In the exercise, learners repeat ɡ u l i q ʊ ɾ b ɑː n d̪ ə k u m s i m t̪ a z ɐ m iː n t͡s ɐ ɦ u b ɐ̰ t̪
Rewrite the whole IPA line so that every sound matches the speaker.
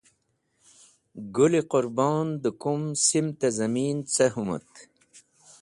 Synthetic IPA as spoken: ɡ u l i q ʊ ɾ b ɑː n d̪ ə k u m s i m t̪ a z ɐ m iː n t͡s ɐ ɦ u m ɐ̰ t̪